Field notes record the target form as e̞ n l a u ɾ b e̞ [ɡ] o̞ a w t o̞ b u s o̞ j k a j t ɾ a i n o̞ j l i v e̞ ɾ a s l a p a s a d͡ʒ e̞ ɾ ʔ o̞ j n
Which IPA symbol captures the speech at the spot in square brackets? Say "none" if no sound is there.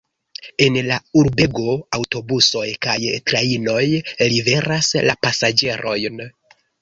ɡ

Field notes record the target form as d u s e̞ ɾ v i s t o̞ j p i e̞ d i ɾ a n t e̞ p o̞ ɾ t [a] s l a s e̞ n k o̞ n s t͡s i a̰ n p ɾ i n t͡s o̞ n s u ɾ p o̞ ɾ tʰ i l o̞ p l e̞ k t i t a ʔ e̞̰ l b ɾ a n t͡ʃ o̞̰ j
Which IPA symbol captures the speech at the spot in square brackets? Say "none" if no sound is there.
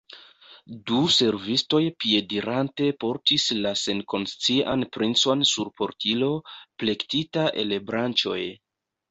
i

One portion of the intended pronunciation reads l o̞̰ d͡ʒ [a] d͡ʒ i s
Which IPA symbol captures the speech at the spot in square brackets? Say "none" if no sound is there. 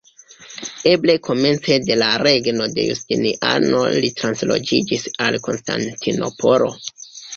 i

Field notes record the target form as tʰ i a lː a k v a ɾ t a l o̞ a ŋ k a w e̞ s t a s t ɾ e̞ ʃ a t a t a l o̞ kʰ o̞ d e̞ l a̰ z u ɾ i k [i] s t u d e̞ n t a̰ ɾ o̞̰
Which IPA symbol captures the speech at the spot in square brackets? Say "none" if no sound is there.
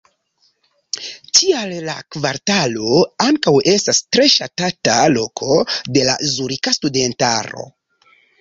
a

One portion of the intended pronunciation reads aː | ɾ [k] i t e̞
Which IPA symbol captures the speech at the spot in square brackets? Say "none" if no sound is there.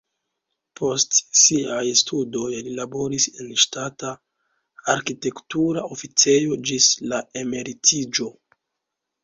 k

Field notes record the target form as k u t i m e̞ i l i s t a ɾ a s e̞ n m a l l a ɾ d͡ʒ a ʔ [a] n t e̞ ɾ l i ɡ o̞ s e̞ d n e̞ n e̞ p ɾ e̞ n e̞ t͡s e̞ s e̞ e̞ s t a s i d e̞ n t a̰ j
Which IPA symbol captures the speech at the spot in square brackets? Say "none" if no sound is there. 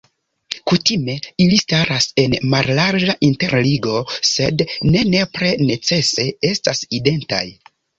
i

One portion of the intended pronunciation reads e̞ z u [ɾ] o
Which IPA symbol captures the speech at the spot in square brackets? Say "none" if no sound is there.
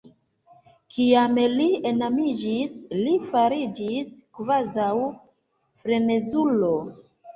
l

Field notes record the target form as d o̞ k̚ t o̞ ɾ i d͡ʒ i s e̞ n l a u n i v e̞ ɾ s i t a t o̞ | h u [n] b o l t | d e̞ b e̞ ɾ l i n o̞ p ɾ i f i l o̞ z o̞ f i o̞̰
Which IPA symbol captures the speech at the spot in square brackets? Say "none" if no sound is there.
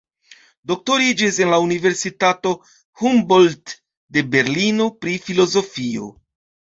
m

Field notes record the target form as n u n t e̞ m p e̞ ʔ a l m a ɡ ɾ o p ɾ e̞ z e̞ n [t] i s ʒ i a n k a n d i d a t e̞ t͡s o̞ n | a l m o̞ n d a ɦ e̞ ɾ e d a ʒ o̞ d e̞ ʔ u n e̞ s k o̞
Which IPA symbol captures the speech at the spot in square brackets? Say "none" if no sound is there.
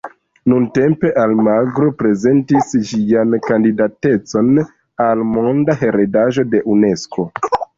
t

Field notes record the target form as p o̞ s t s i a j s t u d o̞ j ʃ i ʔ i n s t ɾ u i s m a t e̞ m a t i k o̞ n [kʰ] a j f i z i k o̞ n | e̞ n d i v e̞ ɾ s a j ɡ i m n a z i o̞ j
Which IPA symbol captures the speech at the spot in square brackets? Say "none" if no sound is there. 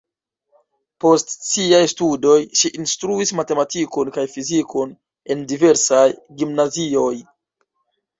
k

